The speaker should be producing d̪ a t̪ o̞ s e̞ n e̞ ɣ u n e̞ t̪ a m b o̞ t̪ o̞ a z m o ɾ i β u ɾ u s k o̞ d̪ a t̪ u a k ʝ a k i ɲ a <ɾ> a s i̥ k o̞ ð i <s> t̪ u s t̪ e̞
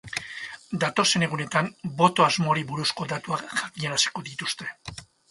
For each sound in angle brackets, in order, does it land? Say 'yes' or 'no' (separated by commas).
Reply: yes, no